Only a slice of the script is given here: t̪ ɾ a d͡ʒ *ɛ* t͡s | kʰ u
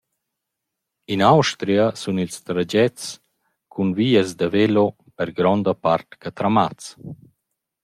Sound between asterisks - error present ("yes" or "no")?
no